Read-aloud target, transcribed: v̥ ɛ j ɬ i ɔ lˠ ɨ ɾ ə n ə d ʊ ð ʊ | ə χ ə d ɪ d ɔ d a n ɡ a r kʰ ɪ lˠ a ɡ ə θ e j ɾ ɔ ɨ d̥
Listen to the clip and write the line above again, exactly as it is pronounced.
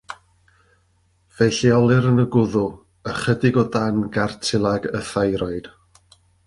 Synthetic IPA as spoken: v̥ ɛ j ɬ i ɔ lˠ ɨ ɾ ə n ə ɡ ʊ ð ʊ | ə χ ə d ɪ ɡ ɔ d a n ɡ a r tʰ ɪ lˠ a ɡ ə θ a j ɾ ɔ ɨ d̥